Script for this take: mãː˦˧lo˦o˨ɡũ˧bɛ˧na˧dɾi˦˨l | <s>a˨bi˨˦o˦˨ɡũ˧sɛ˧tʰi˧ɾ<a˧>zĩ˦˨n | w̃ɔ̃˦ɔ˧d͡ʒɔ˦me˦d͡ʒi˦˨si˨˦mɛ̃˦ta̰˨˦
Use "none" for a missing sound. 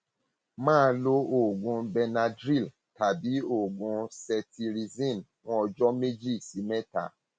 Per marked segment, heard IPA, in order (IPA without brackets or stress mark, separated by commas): t, i˧